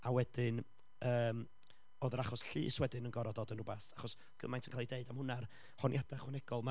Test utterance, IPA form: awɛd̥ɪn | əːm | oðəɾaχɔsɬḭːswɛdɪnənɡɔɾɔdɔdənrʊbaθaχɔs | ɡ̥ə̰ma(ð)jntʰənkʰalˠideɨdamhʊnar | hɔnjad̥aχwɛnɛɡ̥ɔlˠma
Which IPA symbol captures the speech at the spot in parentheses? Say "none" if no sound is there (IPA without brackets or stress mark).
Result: none